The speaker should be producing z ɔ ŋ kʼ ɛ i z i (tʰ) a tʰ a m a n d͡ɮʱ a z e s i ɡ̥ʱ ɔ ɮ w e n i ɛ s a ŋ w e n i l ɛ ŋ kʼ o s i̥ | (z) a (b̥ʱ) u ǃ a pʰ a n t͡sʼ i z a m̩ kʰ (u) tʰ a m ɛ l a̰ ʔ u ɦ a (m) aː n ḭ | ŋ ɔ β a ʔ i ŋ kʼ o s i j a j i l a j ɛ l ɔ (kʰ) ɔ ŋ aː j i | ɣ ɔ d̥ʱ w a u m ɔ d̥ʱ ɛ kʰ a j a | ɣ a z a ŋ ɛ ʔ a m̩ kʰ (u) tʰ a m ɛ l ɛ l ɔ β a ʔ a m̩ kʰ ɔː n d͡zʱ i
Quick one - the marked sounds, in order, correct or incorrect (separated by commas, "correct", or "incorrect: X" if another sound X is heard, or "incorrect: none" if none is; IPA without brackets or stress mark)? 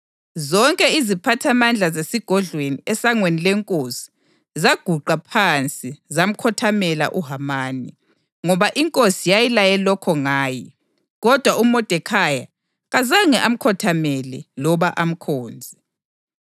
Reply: incorrect: pʰ, correct, incorrect: ɡ̥ʱ, incorrect: ɔ, correct, correct, incorrect: ɔ